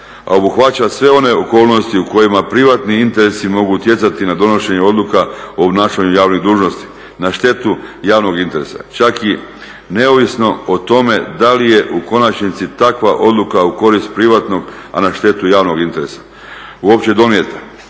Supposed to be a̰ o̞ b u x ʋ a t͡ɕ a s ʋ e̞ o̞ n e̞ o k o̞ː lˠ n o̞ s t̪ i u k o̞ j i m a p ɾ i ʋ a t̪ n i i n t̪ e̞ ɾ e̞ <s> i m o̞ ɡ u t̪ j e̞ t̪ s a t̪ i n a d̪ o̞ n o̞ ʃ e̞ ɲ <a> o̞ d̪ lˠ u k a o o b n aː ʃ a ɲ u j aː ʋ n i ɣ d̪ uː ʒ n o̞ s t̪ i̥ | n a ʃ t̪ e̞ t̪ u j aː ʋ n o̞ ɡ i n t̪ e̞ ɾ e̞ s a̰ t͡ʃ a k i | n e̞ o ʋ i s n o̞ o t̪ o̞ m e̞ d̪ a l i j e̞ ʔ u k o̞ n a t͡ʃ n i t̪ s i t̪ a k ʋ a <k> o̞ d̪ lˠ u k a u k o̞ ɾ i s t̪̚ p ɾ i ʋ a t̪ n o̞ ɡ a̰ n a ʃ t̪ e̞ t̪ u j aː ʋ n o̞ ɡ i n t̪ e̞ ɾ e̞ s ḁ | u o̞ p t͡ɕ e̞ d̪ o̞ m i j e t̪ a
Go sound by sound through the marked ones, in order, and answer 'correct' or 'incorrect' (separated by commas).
correct, incorrect, incorrect